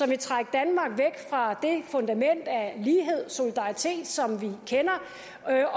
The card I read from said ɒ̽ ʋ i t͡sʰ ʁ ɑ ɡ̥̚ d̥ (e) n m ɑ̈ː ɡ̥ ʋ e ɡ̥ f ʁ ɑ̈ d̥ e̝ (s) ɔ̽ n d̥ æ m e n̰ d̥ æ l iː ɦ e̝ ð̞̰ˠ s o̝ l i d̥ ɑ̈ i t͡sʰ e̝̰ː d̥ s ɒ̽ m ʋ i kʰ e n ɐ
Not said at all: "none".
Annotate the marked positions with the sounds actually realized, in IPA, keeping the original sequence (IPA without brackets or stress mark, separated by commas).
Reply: æ, f